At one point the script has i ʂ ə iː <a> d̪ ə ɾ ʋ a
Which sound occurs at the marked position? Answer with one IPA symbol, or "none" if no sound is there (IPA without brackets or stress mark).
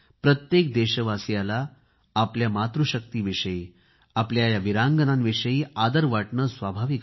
a